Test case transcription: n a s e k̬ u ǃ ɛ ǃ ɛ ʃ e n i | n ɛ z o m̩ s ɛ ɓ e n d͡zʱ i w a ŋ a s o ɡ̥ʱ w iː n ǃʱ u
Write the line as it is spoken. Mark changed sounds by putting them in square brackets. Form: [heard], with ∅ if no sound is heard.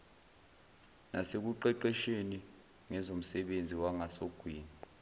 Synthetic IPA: n a s e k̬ u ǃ ɛ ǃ ɛ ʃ e n i | [ŋ] ɛ z o m̩ s ɛ ɓ e n d͡zʱ i w a ŋ a s o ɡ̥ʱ w iː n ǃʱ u